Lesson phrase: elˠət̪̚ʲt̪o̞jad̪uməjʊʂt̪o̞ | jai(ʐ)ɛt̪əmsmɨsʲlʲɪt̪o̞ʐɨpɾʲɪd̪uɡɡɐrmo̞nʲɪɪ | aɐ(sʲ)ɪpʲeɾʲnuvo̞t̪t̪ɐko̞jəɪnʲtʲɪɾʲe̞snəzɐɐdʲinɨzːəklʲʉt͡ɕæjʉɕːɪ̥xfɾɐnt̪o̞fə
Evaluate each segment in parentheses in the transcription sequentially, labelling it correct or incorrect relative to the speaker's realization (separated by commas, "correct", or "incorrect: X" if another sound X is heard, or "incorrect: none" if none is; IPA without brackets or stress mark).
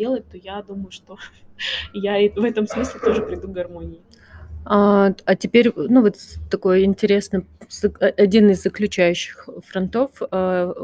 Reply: incorrect: v, incorrect: tʲ